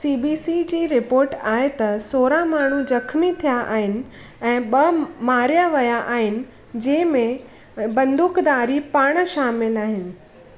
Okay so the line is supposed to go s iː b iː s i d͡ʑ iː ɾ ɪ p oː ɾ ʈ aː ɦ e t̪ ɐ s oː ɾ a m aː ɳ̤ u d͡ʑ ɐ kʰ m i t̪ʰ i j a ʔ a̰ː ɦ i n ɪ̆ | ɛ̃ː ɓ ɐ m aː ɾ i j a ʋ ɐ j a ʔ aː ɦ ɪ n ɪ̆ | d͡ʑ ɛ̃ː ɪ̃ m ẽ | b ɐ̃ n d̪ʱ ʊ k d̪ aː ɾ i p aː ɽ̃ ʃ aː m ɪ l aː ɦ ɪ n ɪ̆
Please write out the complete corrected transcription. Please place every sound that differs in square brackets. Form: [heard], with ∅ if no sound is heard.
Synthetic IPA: s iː b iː s i d͡ʑ iː ɾ ɪ p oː ɾ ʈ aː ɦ e t̪ ɐ s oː ɾ a m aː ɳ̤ u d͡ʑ ɐ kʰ m i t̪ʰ i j a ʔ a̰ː ɦ [ɪ] n ɪ̆ | ɛ̃ː ɓ ɐ m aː ɾ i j a ʋ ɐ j a ʔ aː ɦ ɪ n ɪ̆ | d͡ʑ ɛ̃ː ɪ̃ m ẽ | b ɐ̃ n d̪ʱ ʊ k d̪ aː ɾ i p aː ɽ̃ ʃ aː m ɪ l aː ɦ ɪ n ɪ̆

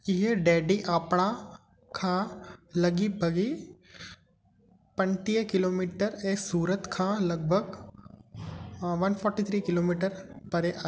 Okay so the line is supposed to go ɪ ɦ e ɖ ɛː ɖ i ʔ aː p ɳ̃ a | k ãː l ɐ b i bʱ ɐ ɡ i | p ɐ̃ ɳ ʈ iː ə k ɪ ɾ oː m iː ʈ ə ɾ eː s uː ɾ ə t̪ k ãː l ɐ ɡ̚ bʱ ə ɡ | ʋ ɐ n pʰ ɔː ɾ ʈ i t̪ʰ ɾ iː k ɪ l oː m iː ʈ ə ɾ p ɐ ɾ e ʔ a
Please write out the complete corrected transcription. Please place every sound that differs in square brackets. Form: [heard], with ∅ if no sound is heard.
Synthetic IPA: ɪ ɦ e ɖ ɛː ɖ i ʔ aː p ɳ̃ a | [kʰ] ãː l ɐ [ɡ] i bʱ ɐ ɡ i | p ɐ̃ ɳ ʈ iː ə k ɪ [l] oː m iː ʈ ə ɾ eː s uː ɾ ə t̪ [kʰ] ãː l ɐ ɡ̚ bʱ ə ɡ | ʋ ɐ n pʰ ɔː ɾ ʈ i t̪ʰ ɾ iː k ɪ l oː m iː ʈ ə ɾ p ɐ ɾ e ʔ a

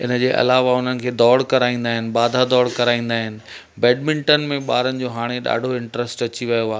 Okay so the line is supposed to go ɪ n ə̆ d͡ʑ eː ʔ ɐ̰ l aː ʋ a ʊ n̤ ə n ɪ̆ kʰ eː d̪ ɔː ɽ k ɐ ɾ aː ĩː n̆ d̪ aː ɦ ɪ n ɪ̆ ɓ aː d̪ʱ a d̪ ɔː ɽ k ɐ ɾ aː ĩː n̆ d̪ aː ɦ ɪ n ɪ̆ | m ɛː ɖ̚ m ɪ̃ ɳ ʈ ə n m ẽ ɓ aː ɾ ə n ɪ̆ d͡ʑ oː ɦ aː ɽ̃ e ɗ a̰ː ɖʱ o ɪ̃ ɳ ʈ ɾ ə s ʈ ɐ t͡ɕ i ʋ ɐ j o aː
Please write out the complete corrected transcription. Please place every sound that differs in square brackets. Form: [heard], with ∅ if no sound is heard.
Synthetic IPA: ɪ n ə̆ d͡ʑ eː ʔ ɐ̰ l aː ʋ a ʊ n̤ ə n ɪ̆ kʰ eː d̪ ɔː ɽ k ɐ ɾ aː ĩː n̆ d̪ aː ɦ ɪ n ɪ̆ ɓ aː d̪ʱ a d̪ ɔː ɽ k ɐ ɾ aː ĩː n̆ d̪ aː ɦ ɪ n ɪ̆ | [b] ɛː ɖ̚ m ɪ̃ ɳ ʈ ə n m ẽ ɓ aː ɾ ə n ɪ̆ d͡ʑ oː ɦ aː ɽ̃ e ɗ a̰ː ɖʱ o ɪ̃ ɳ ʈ ɾ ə s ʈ ɐ t͡ɕ i ʋ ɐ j o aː

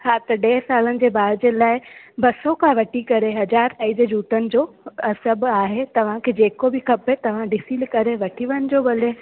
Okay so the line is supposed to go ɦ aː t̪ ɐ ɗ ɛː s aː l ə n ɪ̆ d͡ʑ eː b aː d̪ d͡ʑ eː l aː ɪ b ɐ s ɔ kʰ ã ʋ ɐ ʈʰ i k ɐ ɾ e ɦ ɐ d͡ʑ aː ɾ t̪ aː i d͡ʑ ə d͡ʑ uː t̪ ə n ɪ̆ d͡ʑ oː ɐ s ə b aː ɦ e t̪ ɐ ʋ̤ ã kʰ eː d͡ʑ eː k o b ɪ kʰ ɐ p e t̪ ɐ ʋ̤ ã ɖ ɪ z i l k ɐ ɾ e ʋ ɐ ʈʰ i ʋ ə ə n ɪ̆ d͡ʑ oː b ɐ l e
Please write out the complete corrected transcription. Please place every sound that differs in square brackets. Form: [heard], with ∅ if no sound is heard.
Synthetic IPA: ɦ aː t̪ ɐ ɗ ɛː s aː l ə n ɪ̆ d͡ʑ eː b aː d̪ d͡ʑ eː l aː ɪ b ɐ s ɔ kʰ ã ʋ ɐ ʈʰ i k ɐ ɾ e ɦ ɐ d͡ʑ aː ɾ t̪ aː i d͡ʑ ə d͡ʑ uː t̪ ə n ɪ̆ d͡ʑ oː ɐ s ə b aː ɦ e t̪ ɐ ʋ̤ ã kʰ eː d͡ʑ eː k o b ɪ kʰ ɐ p e t̪ ɐ ʋ̤ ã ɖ ɪ [s] i l k ɐ ɾ e ʋ ɐ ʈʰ i ʋ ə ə n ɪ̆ d͡ʑ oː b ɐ l e

